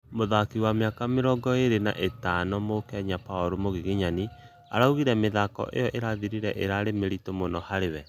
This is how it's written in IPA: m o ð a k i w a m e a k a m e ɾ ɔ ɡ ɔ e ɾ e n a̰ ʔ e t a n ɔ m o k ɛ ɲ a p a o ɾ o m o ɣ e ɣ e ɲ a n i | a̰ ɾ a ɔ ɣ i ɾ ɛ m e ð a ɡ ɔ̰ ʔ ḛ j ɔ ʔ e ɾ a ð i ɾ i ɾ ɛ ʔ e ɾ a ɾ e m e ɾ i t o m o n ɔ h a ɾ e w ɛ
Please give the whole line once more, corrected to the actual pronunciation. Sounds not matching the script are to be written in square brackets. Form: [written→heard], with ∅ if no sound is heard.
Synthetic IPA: m o ð a k i w a m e a k a m e ɾ ɔ ɡ ɔ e ɾ e n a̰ ʔ e t a n ɔ m o k ɛ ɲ a p a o ɾ o m o ɣ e ɣ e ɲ a n i | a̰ ɾ a [ɔ→u] ɣ i ɾ ɛ m e ð a [ɡ→k] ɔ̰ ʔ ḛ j ɔ ʔ e ɾ a ð i ɾ i ɾ ɛ ʔ e ɾ a ɾ e m e ɾ i t o m o n ɔ h a ɾ e w ɛ

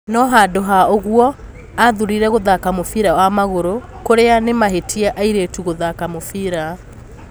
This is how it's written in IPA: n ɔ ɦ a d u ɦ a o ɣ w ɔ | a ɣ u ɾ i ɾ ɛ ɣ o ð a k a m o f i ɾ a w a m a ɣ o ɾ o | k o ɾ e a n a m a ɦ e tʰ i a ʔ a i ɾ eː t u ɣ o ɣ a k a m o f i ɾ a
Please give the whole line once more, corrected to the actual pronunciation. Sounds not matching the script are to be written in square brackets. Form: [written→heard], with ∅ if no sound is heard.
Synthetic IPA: n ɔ ɦ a d [u→o] ɦ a o ɣ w ɔ | a [ɣ→ð] u ɾ i ɾ ɛ ɣ o ð a k a m o f i ɾ a w a m a ɣ o ɾ o | k o ɾ e a n [a→e] m a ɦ e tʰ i a ʔ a i ɾ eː t u ɣ o [ɣ→ð] a k a m o f i ɾ a

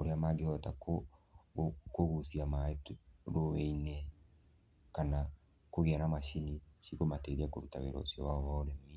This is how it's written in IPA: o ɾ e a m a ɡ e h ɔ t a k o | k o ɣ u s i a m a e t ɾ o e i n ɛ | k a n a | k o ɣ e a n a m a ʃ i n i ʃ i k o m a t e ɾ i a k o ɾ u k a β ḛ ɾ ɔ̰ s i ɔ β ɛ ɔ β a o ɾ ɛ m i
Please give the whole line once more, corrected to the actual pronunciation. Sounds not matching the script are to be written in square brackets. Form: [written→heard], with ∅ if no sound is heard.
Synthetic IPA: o ɾ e a m a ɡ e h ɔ t a k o | k o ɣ u s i a m a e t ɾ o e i n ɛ | k a n a | k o ɣ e a n a m a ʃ i n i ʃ i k o m a t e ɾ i a k o ɾ u [k→t] a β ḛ ɾ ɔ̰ s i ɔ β [ɛ→a] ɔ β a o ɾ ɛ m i

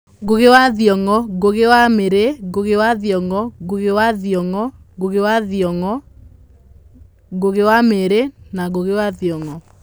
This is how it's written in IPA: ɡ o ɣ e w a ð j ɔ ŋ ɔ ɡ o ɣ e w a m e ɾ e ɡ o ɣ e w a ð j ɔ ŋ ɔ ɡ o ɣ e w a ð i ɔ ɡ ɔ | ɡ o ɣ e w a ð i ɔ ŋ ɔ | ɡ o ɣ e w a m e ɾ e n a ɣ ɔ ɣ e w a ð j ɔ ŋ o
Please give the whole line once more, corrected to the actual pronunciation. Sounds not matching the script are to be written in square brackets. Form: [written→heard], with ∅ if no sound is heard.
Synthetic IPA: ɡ o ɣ e w a ð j ɔ ŋ ɔ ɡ o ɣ e w a m e ɾ e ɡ o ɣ e w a ð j ɔ ŋ ɔ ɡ o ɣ e w a ð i ɔ [ɡ→ŋ] ɔ | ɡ o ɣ e w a ð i ɔ ŋ ɔ | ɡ o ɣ e w a m e ɾ e n a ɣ [ɔ→o] ɣ e w a ð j ɔ ŋ [o→ɔ]

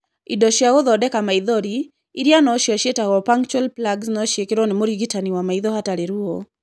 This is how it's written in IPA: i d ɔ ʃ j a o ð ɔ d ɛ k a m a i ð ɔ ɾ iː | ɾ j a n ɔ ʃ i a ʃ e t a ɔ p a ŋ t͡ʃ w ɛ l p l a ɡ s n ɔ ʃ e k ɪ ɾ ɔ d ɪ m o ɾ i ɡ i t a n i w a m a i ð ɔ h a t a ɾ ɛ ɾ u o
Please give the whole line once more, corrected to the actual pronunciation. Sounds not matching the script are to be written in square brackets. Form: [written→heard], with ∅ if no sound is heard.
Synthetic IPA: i d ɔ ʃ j a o ð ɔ d ɛ k a m a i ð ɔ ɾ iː | ɾ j a n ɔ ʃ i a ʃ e t a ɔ p a ŋ t͡ʃ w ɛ l p l a ɡ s n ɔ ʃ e k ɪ ɾ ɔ [d→n] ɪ m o ɾ i ɡ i t a n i w a m a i ð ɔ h a t a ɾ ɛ ɾ u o

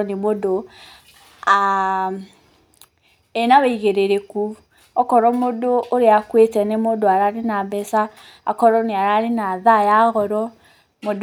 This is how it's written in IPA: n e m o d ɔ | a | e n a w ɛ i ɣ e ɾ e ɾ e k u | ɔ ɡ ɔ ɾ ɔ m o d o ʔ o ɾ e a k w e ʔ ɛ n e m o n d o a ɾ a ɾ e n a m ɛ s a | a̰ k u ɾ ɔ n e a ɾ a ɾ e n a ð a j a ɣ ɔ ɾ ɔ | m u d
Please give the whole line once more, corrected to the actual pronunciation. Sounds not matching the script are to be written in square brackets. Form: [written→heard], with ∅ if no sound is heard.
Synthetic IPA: n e m o d [ɔ→o] | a | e n a w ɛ i ɣ e ɾ e ɾ e k u | ɔ [ɡ→k] ɔ ɾ ɔ m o d o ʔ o ɾ e a k w e [ʔ→t] ɛ n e m o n d o a ɾ a ɾ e n a [m→b] ɛ s a | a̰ k [u→ɔ] ɾ ɔ n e a ɾ a ɾ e n a ð a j a ɣ ɔ ɾ ɔ | m [u→o] d

